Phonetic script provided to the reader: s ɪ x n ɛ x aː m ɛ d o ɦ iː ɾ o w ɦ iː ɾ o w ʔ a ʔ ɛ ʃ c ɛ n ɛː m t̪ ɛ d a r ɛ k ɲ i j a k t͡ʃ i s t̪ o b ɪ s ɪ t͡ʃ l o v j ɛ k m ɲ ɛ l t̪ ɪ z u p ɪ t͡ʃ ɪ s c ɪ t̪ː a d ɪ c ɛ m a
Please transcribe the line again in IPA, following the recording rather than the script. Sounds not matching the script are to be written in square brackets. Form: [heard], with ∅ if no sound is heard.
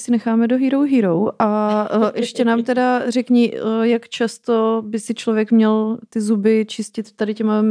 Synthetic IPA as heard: s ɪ [∅] n ɛ x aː m ɛ d o ɦ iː ɾ o w ɦ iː ɾ o w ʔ a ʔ ɛ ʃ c ɛ n [aː] m t̪ ɛ d a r ɛ k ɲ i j a k t͡ʃ [a] s t̪ o b ɪ s ɪ t͡ʃ l o v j ɛ k m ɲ ɛ l t̪ ɪ z u [b] ɪ t͡ʃ ɪ s c ɪ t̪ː a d ɪ c ɛ m a